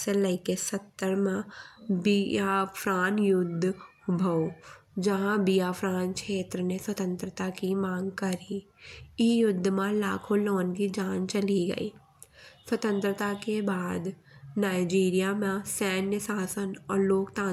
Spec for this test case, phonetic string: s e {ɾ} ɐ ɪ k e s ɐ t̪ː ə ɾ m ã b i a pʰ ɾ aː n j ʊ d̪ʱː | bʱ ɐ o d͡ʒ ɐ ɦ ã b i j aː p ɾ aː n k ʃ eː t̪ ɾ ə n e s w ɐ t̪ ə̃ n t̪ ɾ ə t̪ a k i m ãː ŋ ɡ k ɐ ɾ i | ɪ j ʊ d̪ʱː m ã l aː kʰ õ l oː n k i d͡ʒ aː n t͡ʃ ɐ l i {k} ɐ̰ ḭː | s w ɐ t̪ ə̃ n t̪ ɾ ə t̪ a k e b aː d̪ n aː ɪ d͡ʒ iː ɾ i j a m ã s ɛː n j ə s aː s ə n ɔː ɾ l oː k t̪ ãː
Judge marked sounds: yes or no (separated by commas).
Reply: no, no